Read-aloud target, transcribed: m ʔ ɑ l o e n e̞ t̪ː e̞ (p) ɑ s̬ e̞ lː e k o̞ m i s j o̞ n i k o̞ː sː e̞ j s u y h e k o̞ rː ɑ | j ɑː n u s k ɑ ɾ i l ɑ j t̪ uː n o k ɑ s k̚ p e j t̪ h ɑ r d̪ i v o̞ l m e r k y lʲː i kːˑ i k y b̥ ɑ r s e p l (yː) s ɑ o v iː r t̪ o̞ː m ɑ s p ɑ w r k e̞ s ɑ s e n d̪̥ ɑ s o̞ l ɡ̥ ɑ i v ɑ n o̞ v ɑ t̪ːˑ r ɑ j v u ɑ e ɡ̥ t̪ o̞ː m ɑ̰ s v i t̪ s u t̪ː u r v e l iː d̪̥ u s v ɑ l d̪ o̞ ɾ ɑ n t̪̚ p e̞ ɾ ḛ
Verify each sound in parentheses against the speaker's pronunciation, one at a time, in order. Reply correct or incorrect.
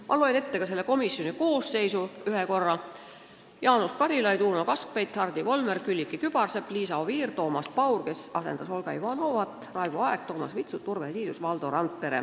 incorrect, incorrect

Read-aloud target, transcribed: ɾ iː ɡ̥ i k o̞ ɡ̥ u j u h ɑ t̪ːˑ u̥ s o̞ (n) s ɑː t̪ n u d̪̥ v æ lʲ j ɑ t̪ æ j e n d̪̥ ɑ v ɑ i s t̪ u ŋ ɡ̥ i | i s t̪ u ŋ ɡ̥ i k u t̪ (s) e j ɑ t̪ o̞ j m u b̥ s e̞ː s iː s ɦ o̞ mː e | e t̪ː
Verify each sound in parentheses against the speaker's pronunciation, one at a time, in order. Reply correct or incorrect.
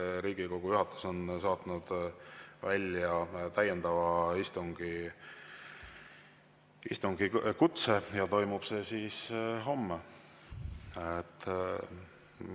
correct, correct

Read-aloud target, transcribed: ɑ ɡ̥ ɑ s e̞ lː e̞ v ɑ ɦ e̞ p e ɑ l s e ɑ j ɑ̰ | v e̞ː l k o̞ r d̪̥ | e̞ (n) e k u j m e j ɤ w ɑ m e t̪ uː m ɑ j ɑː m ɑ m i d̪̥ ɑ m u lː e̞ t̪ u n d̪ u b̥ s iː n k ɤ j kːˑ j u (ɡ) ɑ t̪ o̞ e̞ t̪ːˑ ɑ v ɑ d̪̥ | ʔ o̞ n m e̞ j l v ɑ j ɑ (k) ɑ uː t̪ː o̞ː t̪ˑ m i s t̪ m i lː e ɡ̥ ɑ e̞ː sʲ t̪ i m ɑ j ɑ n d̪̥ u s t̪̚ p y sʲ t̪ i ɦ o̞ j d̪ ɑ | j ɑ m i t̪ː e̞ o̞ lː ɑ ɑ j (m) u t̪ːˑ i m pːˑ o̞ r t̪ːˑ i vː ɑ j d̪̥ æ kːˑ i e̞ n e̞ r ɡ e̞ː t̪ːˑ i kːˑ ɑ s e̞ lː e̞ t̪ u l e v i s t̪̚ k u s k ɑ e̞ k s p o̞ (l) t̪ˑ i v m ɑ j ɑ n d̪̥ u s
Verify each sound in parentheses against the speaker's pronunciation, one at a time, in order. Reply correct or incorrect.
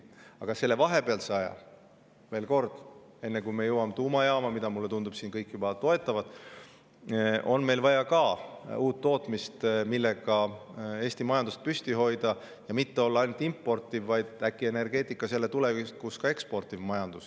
incorrect, incorrect, correct, incorrect, incorrect

